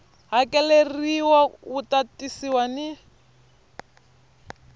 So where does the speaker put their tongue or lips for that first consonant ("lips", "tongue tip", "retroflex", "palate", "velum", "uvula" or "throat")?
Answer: throat